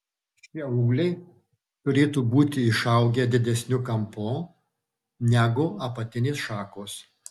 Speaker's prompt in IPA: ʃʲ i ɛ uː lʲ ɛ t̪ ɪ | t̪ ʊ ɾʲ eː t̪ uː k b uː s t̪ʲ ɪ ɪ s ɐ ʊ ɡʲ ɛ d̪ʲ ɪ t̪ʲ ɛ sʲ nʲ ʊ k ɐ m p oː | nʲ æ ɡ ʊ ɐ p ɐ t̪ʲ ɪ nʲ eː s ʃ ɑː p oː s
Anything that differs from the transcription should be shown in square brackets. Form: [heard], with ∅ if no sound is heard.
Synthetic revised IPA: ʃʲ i ɛ uː lʲ ɛ [∅] ɪ | t̪ ʊ ɾʲ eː t̪ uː [∅] b uː [∅] t̪ʲ ɪ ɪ [ʃ] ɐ ʊ ɡʲ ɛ d̪ʲ ɪ [d̪ʲ] ɛ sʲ nʲ ʊ k ɐ m p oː | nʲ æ ɡ ʊ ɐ p ɐ t̪ʲ ɪ nʲ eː s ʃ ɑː [k] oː s